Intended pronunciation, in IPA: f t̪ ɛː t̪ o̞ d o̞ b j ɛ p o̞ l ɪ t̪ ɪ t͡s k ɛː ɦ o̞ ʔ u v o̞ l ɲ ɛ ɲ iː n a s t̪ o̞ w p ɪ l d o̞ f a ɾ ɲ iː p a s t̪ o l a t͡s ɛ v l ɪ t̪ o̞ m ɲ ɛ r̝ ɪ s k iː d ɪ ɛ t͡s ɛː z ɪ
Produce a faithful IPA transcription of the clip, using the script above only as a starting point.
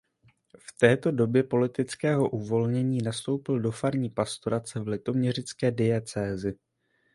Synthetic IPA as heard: f t̪ ɛː t̪ o̞ d o̞ b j ɛ p o̞ l ɪ t̪ ɪ t͡s k ɛː ɦ o̞ ʔ u v o̞ l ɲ ɛ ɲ iː n a s t̪ o̞ w p ɪ l d o̞ f a ɾ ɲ iː p a s t̪ o ɾ a t͡s ɛ v l ɪ t̪ o̞ m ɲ ɛ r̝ ɪ t͡s k ɛː d ɪ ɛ t͡s ɛː z ɪ